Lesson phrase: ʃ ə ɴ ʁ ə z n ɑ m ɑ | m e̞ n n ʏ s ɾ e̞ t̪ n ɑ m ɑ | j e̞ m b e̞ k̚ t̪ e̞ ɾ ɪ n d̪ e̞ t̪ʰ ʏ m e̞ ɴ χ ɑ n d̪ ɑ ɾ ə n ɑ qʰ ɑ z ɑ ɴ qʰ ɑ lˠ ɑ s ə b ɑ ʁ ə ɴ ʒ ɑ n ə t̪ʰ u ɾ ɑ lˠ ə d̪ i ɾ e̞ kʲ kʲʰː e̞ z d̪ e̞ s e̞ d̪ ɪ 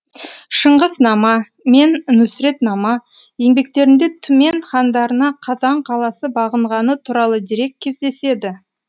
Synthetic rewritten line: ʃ ə ɴ ʁ ə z n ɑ m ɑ | m e̞ n n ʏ s ɾ e̞ t̪ n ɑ m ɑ | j e̞ ŋ b e̞ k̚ t̪ e̞ ɾ ɪ n d̪ e̞ t̪ʰ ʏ m e̞ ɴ χ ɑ n d̪ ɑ ɾ ə n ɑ qʰ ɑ z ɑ ɴ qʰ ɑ lˠ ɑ s ə b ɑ ʁ ə ɴ ʁ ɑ n ə t̪ʰ u ɾ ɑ lˠ ə d̪ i ɾ e̞ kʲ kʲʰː e̞ z d̪ e̞ s e̞ d̪ ɪ